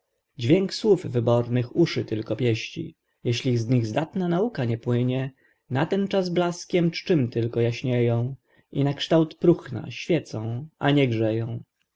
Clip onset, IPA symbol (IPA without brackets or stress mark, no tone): d͡ʑ